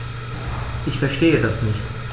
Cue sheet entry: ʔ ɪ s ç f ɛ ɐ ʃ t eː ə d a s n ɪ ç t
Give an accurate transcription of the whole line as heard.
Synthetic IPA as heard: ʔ ɪ ç f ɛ ɐ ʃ t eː ə d a s n ɪ ç t